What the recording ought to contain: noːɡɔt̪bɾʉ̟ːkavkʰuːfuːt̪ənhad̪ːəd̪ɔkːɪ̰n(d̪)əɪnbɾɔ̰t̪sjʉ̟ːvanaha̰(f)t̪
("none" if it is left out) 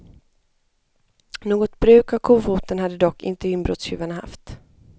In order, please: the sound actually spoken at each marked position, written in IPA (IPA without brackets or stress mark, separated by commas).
t̪, f